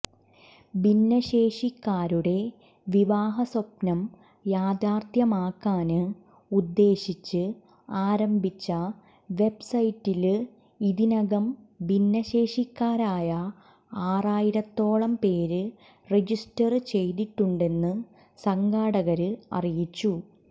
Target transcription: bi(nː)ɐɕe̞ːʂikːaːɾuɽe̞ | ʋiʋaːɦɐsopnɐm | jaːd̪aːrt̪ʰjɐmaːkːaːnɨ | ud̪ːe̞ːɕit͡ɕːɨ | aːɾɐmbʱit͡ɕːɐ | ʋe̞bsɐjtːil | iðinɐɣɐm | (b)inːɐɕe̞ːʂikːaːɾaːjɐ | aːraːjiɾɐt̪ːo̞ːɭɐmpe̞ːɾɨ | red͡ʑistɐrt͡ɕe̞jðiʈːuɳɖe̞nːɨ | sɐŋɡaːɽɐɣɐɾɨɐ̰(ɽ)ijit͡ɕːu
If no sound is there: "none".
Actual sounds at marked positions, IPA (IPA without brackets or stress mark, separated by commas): nː, b, r